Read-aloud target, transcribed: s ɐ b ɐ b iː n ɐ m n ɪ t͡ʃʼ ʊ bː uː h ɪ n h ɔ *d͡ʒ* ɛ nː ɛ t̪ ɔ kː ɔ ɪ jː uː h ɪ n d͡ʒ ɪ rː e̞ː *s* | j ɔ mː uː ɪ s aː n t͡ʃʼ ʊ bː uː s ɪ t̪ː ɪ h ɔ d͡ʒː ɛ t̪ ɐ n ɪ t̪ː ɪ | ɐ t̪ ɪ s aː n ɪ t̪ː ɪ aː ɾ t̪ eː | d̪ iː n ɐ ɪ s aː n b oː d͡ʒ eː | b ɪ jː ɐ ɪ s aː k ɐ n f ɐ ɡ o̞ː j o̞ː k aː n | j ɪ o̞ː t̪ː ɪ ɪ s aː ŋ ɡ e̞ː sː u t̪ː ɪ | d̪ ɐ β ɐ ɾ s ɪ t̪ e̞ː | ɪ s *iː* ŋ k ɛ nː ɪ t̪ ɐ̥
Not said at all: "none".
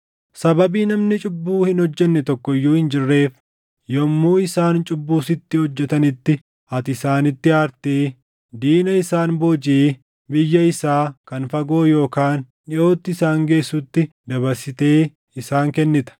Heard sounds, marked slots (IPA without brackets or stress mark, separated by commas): d͡ʒː, f, aː